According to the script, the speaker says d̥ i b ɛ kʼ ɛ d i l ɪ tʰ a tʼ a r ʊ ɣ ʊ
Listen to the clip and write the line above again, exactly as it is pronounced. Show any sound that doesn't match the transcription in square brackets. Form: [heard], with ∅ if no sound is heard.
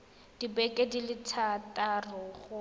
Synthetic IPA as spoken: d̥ i b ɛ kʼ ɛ d i l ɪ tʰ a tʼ a r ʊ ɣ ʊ